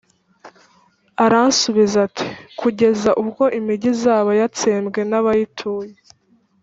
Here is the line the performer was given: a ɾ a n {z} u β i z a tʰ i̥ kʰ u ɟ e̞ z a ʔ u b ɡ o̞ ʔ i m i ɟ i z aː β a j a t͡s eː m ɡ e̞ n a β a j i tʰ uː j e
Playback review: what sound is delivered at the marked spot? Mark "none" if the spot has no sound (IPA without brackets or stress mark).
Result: s